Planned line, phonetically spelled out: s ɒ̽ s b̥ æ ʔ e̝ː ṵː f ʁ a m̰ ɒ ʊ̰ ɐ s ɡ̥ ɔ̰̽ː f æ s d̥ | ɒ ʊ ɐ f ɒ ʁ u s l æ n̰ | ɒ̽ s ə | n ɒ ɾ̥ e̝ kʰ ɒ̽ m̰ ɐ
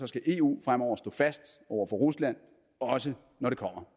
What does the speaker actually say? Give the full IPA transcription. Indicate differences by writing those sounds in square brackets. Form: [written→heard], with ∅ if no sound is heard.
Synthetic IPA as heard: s ɒ̽ s [b̥→ɡ̥] æ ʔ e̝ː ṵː f ʁ a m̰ ɒ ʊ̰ ɐ s [ɡ̥→d̥] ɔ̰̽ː f æ s d̥ | ɒ ʊ ɐ f ɒ ʁ u s l æ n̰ | ɒ̽ s ə | n ɒ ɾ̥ e̝ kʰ ɒ̽ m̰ ɐ

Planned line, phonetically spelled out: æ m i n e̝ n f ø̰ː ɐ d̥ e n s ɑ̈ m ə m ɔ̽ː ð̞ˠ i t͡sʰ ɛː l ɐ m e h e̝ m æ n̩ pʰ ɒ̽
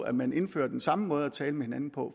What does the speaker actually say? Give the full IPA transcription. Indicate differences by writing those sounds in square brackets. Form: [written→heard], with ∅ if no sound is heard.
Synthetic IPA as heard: æ m [i→æ] n e̝ n f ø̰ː ɐ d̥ e n s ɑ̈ m ə m ɔ̽ː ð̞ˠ [i→æ] t͡sʰ ɛː l [ɐ→ə] m e h e̝ [m→n] æ n̩ pʰ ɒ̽

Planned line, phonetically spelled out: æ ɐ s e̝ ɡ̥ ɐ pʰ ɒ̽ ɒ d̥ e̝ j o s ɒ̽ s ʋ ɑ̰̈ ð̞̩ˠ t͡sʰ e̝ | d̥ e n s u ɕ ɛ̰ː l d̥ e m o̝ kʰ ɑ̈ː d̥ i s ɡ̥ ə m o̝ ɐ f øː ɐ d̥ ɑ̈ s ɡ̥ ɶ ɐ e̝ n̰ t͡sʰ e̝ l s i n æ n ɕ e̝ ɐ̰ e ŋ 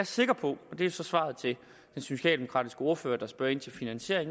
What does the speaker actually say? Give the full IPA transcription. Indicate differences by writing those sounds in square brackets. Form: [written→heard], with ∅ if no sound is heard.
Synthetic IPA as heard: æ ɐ s e̝ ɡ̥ ɐ pʰ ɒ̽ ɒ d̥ e̝ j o s ɒ̽ s ʋ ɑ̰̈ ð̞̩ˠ t͡sʰ e̝ | d̥ e n s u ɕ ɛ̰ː l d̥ e m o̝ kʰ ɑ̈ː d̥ i s ɡ̥ ə [m→∅] o̝ ɐ f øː ɐ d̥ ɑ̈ s [ɡ̥→b̥] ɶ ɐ e̝ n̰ t͡sʰ e̝ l [s→f] i n æ n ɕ e̝ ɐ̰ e ŋ

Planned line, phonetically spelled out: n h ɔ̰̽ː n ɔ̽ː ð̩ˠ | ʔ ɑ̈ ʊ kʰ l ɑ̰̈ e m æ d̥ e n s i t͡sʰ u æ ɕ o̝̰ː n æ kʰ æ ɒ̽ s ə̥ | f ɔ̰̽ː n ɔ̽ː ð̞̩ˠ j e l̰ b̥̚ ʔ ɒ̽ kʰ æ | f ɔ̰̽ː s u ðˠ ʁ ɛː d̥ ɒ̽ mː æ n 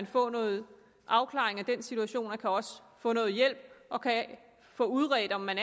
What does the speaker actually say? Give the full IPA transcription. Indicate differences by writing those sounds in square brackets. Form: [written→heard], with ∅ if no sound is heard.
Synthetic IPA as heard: n [h→f] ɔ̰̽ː n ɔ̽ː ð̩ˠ | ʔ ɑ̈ ʊ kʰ l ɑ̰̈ e [m→ŋ] æ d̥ e n s i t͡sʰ u æ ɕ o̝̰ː n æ kʰ æ ɒ̽ s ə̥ | f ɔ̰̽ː n ɔ̽ː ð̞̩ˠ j e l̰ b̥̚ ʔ ɒ̽ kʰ æ | f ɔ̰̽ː [s→∅] u ðˠ ʁ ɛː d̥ ɒ̽ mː æ n

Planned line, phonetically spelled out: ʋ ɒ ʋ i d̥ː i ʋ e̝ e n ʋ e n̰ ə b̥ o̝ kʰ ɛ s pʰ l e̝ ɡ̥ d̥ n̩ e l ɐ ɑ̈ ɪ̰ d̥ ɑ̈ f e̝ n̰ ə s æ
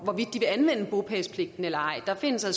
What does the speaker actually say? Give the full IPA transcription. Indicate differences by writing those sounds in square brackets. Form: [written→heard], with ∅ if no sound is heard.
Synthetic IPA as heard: ʋ ɒ ʋ i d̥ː i ʋ e̝ [e→æ] n ʋ e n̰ ə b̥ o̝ [kʰ→pʰ] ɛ s pʰ l e̝ ɡ̥ d̥ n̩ e l ɐ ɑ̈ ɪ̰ d̥ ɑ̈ f e̝ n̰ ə s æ

